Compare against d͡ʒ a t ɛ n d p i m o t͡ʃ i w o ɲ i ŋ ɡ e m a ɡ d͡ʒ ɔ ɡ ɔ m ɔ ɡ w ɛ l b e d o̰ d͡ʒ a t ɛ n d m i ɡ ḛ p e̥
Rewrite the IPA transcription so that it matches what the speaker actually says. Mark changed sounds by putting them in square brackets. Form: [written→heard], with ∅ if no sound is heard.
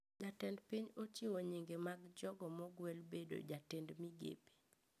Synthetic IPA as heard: d͡ʒ a t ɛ n d p i [m→ɲ] o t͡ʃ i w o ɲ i ŋ ɡ e m a ɡ d͡ʒ ɔ ɡ ɔ m ɔ ɡ w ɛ l b e d o̰ d͡ʒ a t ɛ n d m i ɡ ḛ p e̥